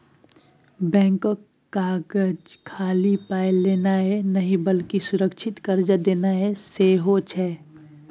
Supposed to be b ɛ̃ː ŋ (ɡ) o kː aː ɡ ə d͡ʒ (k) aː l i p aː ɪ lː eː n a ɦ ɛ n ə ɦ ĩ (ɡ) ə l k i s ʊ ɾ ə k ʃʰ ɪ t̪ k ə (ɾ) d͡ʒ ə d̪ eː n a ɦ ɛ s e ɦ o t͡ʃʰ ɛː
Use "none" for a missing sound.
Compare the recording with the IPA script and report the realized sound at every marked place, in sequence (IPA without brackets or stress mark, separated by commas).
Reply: k, kʰ, b, ɾ